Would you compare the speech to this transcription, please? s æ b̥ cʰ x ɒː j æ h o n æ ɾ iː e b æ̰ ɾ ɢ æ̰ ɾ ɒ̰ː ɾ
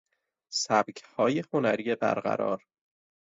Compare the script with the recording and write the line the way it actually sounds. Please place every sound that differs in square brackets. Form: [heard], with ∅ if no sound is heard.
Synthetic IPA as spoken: s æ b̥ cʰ [h] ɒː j [e] h o n æ ɾ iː e b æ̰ ɾ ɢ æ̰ ɾ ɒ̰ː ɾ

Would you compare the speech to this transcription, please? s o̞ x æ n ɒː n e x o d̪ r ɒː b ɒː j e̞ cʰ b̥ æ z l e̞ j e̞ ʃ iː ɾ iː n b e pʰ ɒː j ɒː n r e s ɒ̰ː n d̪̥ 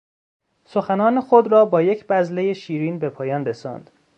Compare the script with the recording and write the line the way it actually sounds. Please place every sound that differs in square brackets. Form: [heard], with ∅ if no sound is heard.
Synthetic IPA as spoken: s o̞ x æ n ɒː n e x o d̪ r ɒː b ɒː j e̞ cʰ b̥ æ z l e̞ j e̞ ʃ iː ɾ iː n b e pʰ ɒː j ɒː n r e s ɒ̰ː n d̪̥

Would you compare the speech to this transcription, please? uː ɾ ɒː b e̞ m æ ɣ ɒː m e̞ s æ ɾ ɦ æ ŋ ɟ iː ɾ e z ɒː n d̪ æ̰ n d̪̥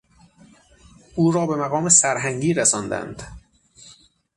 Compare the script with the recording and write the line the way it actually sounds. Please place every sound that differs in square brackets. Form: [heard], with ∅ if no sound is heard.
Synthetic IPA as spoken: uː ɾ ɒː b e̞ m æ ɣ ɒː m e̞ s æ ɾ ɦ æ ŋ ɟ iː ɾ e [s] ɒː n d̪ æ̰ n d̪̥

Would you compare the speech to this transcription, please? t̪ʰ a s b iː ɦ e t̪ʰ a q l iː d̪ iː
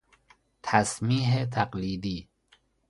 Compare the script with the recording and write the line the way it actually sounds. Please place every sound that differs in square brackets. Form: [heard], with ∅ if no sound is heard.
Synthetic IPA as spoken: t̪ʰ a s [m] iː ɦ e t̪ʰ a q l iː d̪ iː

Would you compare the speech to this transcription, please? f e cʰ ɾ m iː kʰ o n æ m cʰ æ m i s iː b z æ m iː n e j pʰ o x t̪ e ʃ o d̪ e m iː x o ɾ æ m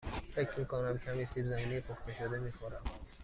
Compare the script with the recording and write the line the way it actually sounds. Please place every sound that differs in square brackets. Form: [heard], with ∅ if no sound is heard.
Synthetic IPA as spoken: f e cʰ ɾ m iː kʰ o n æ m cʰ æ m i s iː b z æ m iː n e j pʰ o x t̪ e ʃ o d̪ e m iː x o ɾ æ m

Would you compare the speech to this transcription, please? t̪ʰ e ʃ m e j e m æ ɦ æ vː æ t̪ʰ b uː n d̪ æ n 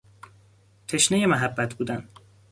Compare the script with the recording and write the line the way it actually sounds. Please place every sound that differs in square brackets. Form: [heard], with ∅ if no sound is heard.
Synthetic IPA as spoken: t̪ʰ e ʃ [n] e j e m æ ɦ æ [bː] æ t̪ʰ b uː [∅] d̪ æ n

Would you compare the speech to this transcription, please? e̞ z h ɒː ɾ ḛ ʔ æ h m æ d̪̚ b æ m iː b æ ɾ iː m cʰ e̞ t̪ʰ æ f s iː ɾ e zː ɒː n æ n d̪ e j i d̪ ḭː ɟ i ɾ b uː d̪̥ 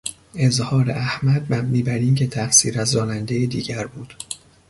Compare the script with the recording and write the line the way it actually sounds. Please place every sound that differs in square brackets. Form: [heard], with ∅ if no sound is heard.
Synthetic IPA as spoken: e̞ z h ɒː ɾ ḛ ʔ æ h m æ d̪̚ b æ m iː b æ ɾ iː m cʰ e̞ t̪ʰ æ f s iː ɾ [æ] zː ɒː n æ n d̪ e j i d̪ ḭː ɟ [æ] ɾ b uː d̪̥

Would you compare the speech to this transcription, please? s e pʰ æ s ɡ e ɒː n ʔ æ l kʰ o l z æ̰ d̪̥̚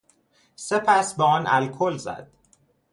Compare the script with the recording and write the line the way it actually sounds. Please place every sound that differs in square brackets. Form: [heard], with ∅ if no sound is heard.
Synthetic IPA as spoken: s e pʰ æ s [b] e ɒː n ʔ æ l kʰ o l z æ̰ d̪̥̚

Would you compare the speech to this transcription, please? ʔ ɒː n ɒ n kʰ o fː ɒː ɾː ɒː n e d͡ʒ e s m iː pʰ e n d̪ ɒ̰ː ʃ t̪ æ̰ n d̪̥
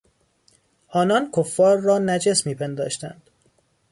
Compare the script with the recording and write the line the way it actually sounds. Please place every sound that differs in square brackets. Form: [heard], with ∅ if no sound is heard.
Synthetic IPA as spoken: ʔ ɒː n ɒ n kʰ o fː ɒː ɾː ɒː n [æ] d͡ʒ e s m iː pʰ e n d̪ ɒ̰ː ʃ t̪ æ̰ n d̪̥

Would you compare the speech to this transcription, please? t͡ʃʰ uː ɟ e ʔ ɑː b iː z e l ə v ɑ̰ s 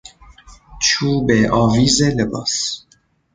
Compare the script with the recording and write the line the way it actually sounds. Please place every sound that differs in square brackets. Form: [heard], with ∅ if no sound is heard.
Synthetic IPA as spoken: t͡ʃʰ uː [b] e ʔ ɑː [v] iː z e l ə [b] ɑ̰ s

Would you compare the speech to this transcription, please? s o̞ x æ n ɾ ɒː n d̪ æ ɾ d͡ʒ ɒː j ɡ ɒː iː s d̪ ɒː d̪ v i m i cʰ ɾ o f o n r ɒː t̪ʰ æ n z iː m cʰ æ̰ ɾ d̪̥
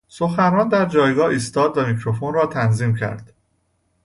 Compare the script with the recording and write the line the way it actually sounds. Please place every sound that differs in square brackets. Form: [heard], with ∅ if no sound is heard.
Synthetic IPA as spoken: s o̞ x æ n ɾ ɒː n d̪ æ ɾ d͡ʒ ɒː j ɡ ɒː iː s [t̪] ɒː d̪ v [æ] m i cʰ ɾ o f o n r ɒː t̪ʰ æ n z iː m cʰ æ̰ ɾ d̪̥

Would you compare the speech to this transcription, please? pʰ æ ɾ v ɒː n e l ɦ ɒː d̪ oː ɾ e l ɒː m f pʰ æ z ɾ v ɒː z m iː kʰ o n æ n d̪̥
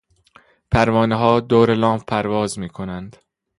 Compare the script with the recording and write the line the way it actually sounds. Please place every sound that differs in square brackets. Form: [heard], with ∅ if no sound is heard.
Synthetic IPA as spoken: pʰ æ ɾ v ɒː n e [∅] ɦ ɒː d̪ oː ɾ e l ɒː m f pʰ æ [∅] ɾ v ɒː z m iː kʰ o n æ n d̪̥

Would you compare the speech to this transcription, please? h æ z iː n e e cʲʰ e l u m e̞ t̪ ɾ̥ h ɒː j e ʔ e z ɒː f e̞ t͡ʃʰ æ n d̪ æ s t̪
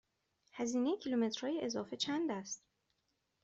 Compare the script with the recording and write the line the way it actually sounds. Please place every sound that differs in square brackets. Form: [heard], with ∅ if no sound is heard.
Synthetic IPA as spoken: h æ z iː n e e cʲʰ [i] l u m e̞ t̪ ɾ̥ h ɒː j e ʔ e z ɒː f e̞ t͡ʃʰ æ n d̪ æ s t̪

